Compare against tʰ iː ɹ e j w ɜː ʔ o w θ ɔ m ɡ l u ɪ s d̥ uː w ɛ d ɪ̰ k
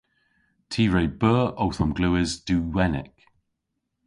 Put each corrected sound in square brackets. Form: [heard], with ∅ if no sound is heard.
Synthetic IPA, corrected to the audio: tʰ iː ɹ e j [b] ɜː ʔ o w θ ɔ m ɡ l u ɪ [z] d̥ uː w ɛ [n] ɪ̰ k

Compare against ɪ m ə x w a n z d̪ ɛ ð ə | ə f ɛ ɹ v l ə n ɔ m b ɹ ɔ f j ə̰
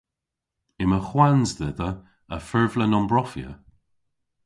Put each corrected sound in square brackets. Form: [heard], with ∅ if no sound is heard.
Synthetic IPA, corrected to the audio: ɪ m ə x w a n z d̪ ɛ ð ə | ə f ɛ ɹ v l ə n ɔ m b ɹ ɔ f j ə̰

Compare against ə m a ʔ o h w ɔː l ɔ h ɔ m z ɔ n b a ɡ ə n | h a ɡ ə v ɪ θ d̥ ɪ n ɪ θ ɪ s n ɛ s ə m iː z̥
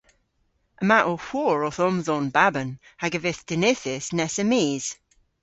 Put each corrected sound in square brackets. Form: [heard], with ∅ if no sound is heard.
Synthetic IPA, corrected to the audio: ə m a ʔ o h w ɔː [ɹ] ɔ [θ] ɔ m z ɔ n b a [b] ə n | h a ɡ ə v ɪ θ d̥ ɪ n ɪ θ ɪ s n ɛ s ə m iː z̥

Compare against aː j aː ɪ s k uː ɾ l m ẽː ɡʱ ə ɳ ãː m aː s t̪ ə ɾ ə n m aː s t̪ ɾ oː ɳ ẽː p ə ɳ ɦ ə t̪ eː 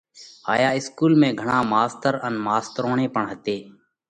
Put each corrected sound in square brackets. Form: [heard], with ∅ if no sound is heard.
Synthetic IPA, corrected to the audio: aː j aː ɪ s k uː [∅] l m ẽː ɡʱ ə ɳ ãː m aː s t̪ ə ɾ ə n m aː s t̪ ɾ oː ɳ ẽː p ə ɳ ɦ ə t̪ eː

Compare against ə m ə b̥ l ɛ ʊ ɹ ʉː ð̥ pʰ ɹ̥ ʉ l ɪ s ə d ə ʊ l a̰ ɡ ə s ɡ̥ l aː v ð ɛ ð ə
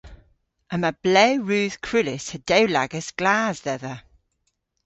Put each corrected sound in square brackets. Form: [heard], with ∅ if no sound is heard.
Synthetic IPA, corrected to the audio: ə m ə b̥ l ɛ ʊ ɹ ʉː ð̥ [kʰ] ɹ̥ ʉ l ɪ s ə d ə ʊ l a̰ ɡ ə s ɡ̥ l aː [z] ð ɛ ð ə

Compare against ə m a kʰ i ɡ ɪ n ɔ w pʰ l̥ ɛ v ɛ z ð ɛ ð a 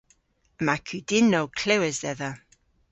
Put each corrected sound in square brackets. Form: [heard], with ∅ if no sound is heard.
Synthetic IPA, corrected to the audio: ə m a kʰ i [d] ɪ n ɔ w [kʰ] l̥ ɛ [w] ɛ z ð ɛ ð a

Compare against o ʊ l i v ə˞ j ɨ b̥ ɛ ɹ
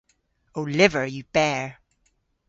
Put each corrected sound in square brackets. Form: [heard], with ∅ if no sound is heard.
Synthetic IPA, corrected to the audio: o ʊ l [ɪ] v ə˞ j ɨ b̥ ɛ ɹ

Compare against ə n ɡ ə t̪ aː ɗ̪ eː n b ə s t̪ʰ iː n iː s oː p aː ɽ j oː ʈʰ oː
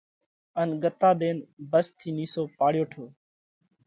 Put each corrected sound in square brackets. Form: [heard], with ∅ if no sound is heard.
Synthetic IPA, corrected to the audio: ə n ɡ ə t̪ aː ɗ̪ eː n b ə s t̪ʰ iː n iː s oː p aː ɽ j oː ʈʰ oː

